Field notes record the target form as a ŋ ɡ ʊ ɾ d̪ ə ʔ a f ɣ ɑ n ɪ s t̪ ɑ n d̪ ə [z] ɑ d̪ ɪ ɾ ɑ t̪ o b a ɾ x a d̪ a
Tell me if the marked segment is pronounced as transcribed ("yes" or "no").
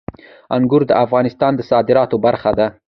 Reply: no